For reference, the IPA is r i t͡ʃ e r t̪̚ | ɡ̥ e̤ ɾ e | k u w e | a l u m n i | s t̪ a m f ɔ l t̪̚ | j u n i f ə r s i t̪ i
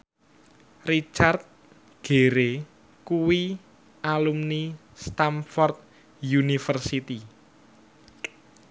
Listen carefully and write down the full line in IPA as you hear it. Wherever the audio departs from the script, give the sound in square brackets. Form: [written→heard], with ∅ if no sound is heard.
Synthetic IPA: r i t͡ʃ [e→a] r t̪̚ | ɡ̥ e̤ ɾ e | k u w [e→i] | a l u m n i | s t̪ a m f ɔ [l→r] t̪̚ | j u n i f ə r s i t̪ i

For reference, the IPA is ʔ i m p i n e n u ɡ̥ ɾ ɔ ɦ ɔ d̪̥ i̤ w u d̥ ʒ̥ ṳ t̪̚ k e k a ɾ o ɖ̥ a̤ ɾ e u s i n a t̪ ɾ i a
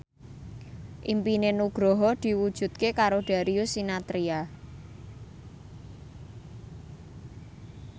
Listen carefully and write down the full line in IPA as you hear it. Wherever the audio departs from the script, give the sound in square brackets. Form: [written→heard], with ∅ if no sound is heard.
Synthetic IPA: ʔ i m p i n e n u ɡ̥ ɾ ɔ ɦ ɔ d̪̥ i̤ w u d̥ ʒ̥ ṳ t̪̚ k e k a ɾ o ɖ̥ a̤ ɾ [e→i] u s i n a t̪ ɾ i a

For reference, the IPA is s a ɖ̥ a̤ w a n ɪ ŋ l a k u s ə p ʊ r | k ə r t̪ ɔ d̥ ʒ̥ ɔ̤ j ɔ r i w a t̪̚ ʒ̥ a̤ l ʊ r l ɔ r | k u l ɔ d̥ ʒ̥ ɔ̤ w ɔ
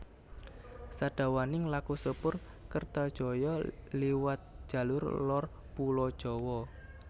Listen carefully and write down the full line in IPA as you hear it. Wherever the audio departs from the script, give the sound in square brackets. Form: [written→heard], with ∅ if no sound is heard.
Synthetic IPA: s a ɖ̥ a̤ w a n ɪ ŋ l a k u s ə p ʊ r | k ə r t̪ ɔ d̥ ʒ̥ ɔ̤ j ɔ [r→l] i w a t̪̚ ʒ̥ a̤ l ʊ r l ɔ r | [k→p] u l ɔ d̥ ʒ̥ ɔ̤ w ɔ

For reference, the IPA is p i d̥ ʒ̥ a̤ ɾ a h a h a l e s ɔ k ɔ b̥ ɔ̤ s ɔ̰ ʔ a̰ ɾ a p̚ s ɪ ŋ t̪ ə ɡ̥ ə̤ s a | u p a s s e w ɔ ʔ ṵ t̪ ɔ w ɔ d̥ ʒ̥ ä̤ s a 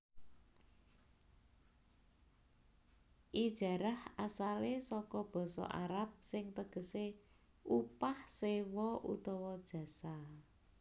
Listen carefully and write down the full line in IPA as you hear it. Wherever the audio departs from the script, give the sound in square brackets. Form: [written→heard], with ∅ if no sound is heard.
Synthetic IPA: [p→ʔ] i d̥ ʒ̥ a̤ ɾ a h a [h→s] a l e s ɔ k ɔ b̥ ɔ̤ s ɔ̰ ʔ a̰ ɾ a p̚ s ɪ ŋ t̪ ə ɡ̥ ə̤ s [a→e] | u p a [s→h] s e w ɔ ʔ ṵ t̪ ɔ w ɔ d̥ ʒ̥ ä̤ s a

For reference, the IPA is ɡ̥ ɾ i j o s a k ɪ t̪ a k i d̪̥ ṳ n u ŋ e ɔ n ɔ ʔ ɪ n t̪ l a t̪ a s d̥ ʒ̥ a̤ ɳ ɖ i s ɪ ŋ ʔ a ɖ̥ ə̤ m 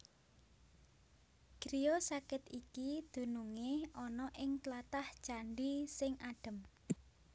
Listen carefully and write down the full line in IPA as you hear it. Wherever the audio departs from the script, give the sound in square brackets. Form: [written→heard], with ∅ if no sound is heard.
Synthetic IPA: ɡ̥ ɾ i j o s a k ɪ t̪ [a→i] k i d̪̥ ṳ n u ŋ e ɔ n ɔ ʔ ɪ [n→ŋ] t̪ l a t̪ a [s→h] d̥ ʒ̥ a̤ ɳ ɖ i s ɪ ŋ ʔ a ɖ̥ ə̤ m

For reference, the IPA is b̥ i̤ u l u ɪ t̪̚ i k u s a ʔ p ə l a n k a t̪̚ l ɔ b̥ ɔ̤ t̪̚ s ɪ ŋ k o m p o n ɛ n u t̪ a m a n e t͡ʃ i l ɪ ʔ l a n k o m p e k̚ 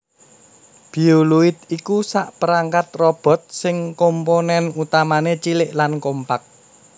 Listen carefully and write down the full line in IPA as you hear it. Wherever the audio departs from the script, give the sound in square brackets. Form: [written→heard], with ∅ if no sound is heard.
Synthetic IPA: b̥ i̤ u l u ɪ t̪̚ i k u s a ʔ p ə [l→ɾ] a [n→ŋ] k a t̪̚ [l→r] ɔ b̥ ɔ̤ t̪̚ s ɪ ŋ k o m p o n ɛ n u t̪ a m a n e t͡ʃ i l ɪ ʔ l a n k o m p [e→a] k̚

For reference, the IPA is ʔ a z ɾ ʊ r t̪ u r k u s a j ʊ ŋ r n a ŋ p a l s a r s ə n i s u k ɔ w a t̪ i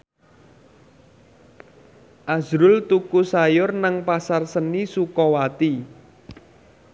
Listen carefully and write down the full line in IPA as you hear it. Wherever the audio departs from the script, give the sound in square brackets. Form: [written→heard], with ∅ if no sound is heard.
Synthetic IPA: ʔ a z ɾ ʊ [r→l] t̪ u [r→∅] k u s a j ʊ [ŋ→∅] r n a ŋ p a [l→∅] s a r s ə n i s u k ɔ w a t̪ i

